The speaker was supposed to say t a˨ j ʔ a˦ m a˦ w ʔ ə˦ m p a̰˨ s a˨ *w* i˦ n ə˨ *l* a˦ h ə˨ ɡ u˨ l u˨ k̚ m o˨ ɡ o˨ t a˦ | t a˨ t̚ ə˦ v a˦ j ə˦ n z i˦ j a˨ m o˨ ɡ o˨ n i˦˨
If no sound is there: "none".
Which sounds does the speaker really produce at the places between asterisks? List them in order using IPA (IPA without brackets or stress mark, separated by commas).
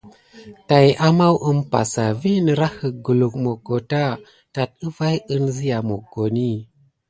v, ɾ